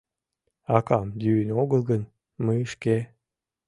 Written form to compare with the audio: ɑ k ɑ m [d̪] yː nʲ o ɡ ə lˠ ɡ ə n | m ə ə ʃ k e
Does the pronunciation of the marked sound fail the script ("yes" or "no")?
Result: no